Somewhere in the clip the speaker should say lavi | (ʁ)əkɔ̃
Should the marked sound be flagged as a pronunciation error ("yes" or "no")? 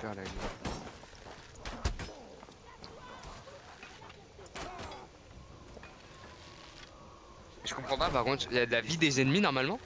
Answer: yes